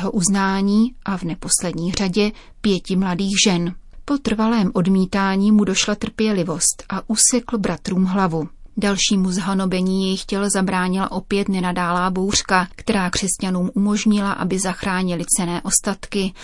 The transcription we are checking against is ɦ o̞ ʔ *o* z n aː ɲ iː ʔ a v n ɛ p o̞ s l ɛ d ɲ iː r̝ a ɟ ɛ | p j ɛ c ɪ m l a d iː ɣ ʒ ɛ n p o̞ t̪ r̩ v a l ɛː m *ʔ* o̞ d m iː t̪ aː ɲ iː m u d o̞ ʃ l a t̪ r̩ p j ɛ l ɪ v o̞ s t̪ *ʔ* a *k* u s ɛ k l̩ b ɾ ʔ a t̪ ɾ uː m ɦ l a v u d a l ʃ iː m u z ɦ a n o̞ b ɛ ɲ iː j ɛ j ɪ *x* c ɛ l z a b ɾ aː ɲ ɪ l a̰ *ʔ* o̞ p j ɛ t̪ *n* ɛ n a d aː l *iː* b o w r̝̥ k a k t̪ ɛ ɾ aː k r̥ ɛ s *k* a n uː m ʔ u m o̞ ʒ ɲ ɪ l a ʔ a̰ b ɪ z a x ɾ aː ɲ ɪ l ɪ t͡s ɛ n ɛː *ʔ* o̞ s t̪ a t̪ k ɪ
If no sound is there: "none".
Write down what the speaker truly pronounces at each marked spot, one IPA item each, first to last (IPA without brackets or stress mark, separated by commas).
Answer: u, ʔ, ʔ, ʔ, x, ʔ, n, aː, c, ʔ